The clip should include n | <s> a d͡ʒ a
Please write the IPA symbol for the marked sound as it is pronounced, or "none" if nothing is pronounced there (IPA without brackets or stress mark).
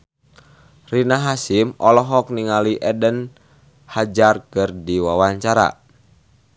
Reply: h